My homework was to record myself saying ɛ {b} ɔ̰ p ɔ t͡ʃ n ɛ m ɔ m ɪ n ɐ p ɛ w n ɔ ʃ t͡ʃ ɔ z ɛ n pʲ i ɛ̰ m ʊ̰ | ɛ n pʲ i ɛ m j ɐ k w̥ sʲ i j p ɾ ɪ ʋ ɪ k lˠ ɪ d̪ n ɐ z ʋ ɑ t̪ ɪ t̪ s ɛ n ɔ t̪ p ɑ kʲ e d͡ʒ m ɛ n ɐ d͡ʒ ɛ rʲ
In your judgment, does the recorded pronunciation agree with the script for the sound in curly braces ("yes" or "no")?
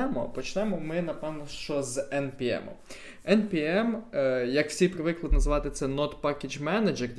no